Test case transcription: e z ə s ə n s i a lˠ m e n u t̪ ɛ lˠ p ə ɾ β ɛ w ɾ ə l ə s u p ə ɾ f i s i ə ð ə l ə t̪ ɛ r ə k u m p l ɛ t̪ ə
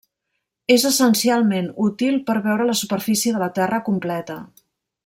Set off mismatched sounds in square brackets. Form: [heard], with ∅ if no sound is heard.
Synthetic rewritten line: e z ə s ə n s i a lˠ m e n u t̪ [i] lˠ p ə ɾ β ɛ w ɾ ə l ə s u p ə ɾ f i s i ə ð ə l ə t̪ ɛ r ə k u m p l ɛ t̪ ə